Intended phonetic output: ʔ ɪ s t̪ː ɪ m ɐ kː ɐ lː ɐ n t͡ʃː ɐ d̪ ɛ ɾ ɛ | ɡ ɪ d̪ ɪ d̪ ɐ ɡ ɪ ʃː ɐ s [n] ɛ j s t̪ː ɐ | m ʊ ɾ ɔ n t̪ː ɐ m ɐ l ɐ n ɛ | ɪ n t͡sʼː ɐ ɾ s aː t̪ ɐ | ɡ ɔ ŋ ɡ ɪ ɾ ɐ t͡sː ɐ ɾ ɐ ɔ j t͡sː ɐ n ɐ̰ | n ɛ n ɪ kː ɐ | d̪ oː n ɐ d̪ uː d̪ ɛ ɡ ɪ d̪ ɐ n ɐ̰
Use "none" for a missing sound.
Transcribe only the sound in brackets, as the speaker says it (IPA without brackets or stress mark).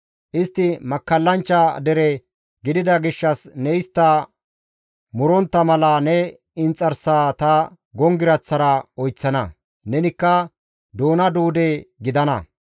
n